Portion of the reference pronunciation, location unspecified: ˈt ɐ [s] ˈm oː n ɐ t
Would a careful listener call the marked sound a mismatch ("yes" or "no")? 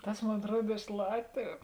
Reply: no